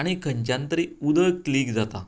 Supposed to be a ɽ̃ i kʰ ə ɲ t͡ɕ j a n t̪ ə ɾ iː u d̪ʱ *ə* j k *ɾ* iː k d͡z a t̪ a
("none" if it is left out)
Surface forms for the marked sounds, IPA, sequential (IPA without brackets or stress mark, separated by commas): ə, l